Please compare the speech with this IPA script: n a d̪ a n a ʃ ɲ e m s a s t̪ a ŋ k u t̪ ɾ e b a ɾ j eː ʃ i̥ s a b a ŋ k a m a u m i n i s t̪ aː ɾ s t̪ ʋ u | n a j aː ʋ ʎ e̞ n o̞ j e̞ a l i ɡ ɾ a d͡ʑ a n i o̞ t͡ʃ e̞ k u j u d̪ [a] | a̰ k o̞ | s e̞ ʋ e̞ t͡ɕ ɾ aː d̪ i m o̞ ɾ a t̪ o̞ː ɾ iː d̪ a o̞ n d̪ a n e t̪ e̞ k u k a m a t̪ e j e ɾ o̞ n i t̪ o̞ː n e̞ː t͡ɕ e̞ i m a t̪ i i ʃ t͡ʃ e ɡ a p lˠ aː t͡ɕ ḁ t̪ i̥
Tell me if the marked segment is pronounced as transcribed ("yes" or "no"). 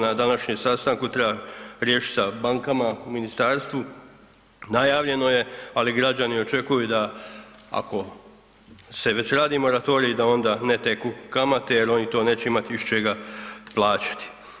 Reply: yes